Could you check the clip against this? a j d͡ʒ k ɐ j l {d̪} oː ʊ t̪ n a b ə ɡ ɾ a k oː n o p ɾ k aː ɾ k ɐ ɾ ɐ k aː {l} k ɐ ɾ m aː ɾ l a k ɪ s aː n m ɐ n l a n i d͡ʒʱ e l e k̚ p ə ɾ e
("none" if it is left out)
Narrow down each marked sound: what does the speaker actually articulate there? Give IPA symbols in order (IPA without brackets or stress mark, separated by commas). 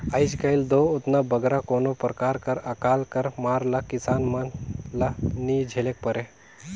d̪, l